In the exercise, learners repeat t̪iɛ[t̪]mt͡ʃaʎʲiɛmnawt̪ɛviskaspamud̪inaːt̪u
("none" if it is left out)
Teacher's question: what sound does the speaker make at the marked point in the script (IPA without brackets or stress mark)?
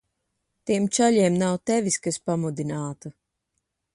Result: none